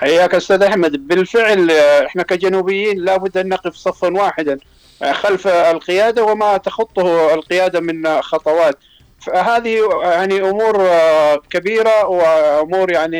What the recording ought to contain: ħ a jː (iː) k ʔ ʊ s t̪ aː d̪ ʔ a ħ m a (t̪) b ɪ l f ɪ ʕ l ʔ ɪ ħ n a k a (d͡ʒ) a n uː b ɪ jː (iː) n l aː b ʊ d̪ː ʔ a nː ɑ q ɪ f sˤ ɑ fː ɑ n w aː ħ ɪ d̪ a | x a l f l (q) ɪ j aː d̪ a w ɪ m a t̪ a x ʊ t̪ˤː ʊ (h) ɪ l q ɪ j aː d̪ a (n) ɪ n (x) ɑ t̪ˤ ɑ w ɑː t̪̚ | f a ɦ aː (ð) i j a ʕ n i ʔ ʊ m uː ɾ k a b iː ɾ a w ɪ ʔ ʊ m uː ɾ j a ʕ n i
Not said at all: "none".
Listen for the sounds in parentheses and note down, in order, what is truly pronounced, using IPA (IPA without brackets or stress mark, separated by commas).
aː, d̪, d͡ʒ, iː, q, h, m, x, ð